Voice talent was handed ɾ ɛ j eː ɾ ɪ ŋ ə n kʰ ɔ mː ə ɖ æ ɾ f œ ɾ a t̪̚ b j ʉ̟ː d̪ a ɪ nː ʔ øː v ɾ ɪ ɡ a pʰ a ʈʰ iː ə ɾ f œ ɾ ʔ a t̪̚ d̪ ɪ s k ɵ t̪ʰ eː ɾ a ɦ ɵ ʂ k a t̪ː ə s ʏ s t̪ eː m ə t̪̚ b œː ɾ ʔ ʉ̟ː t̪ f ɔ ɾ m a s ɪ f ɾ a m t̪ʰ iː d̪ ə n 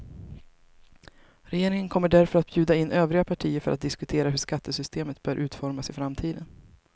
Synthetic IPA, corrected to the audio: ɾ ɛ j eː ɾ ɪ ŋ ə n kʰ ɔ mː ə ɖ æ ɾ f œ ɾ a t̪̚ b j ʉ̟ː d̪ a ɪ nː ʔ øː v ɾ ɪ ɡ a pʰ a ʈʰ iː ə ɾ f œ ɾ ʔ a t̪̚ d̪ ɪ s k ɵ t̪ʰ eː ɾ a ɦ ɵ ʂ k a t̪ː ə s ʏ s t̪ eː m ə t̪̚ b œː ɾ ʔ ʉ̟ː t̪ f ɔ ɾ m a s ɪ f ɾ a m t̪ʰ iː d̪ ə n